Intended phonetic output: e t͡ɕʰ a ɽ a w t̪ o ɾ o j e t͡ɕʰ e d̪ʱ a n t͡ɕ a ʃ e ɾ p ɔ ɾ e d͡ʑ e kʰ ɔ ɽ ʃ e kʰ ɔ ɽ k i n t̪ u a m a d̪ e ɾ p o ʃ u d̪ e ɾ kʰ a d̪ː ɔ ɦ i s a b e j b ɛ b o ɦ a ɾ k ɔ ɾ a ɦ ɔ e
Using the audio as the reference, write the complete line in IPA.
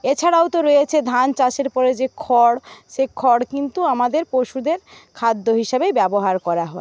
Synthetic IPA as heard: e t͡ɕʰ a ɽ a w t̪ o ɾ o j e t͡ɕʰ e d̪ʱ a n t͡ɕ a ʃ e ɾ p ɔ ɾ e d͡ʑ e kʰ ɔ ɽ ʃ e kʰ ɔ ɽ k i n t̪ u a m a d̪ e ɾ p o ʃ u d̪ e ɾ kʰ a d̪ː o ɦ i ʃ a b e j b ɛ b o ɦ a ɾ k ɔ ɾ a ɦ ɔ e